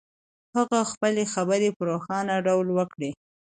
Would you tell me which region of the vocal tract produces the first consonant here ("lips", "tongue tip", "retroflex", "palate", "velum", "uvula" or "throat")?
throat